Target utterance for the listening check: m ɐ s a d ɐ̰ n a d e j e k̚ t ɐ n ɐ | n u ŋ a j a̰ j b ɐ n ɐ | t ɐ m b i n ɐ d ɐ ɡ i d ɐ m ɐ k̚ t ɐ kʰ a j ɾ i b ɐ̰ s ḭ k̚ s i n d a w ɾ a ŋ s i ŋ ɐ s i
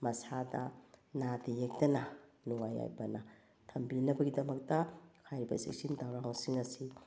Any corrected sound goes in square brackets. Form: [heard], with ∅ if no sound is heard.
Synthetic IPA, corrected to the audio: m ɐ s a d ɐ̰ n a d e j e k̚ t ɐ n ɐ | n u ŋ a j a̰ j b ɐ n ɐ | [tʰ] ɐ m b i n ɐ [b] ɐ ɡ i d ɐ m ɐ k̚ t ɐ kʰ a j ɾ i b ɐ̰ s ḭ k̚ s i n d a w ɾ a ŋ s i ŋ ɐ s i

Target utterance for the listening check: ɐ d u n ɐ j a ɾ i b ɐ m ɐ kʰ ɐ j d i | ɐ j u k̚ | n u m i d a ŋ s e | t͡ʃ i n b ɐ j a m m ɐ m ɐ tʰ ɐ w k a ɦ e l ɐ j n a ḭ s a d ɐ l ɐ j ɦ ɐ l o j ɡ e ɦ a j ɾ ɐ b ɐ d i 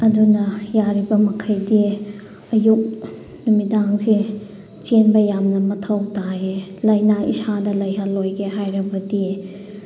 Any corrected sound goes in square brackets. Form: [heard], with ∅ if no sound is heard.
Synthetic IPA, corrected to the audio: ɐ d u n ɐ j a ɾ i b ɐ m ɐ kʰ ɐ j d i | ɐ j u k̚ | n u m i d a ŋ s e | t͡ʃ [e] n b ɐ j a m [n] ɐ m ɐ tʰ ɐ w [t] a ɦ e l ɐ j n a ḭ s a d ɐ l ɐ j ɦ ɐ l o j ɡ e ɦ a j ɾ ɐ b ɐ d i

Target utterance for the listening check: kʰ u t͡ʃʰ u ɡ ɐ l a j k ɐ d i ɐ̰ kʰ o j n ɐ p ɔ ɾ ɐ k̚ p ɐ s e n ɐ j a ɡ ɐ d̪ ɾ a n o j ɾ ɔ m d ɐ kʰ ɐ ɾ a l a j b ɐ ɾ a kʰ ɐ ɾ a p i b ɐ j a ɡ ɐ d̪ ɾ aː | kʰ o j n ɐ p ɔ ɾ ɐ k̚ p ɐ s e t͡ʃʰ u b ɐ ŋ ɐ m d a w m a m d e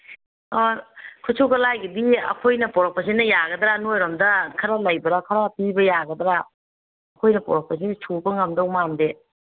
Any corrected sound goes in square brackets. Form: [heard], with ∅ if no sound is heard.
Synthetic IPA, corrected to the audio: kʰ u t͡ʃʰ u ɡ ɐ l a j [ɡ] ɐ d i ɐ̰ kʰ o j n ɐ p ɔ ɾ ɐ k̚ p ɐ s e n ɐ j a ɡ ɐ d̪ ɾ a n o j ɾ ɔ m d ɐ kʰ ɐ ɾ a l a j b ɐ ɾ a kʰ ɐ ɾ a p i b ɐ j a ɡ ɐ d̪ ɾ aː | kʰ o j n ɐ p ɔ ɾ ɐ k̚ p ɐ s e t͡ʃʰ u b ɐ ŋ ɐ m d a w m a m d e

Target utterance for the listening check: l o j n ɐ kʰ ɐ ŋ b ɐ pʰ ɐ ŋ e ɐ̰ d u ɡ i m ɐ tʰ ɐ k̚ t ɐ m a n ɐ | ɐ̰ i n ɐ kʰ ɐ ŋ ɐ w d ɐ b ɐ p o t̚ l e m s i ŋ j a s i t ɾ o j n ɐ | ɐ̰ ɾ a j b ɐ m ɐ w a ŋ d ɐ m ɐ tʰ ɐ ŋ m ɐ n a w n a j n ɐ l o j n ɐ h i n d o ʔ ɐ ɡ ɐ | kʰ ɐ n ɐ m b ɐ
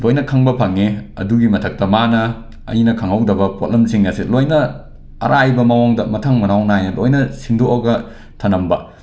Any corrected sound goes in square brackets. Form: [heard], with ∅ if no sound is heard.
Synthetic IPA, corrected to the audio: l o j n ɐ kʰ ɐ ŋ b ɐ pʰ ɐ ŋ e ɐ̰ d u ɡ i m ɐ tʰ ɐ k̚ t ɐ m a n ɐ | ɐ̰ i n ɐ kʰ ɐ ŋ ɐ w d ɐ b ɐ p o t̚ l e m s i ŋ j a s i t [l] o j n ɐ | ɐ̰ ɾ a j b ɐ m ɐ w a ŋ d ɐ m ɐ tʰ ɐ ŋ m ɐ n a w n a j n ɐ l o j n ɐ [s] i n d o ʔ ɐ ɡ ɐ | [tʰ] ɐ n ɐ m b ɐ

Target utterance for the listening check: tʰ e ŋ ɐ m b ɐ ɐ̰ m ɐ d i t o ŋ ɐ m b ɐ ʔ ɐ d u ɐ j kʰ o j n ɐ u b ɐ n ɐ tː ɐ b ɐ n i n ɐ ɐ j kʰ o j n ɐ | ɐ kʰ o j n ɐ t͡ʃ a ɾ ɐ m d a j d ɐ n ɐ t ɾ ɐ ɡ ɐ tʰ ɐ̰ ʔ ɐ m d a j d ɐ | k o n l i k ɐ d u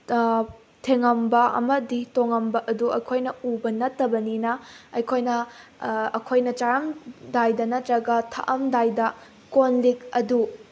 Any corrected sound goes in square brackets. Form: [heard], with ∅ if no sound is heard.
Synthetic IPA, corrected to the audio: tʰ e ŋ ɐ m b ɐ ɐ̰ m ɐ d i t o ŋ ɐ m b ɐ ʔ ɐ d u ɐ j kʰ o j n ɐ u b ɐ n ɐ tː ɐ b ɐ n i n ɐ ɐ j kʰ o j n ɐ | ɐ kʰ o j n ɐ t͡ʃ a ɾ ɐ m d a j d ɐ n ɐ t ɾ ɐ ɡ ɐ tʰ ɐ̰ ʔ ɐ m d a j d ɐ | k o n l i k ɐ d u

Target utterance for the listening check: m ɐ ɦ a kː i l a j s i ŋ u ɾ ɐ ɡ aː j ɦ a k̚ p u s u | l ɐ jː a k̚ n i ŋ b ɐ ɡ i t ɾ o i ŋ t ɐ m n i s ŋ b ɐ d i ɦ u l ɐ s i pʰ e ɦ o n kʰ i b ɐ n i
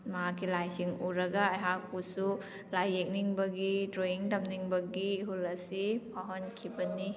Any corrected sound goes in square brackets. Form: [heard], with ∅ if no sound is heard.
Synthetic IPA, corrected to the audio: m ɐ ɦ a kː i l a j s i ŋ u ɾ ɐ ɡ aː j ɦ a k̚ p u s u | l [a] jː [e] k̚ n i ŋ b ɐ ɡ i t ɾ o i ŋ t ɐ m n i [∅] ŋ b ɐ [ɡ] i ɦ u l ɐ s i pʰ [a] ɦ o n kʰ i b ɐ n i

